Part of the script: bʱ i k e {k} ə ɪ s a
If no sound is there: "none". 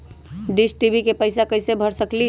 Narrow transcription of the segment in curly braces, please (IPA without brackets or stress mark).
p